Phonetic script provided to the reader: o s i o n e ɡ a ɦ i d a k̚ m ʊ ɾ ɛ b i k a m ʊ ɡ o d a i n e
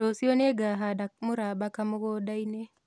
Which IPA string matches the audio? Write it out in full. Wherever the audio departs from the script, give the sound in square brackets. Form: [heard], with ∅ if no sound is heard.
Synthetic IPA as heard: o s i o n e ɡ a ɦ [a] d a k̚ m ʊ ɾ [a] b [a] k a m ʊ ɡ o d a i n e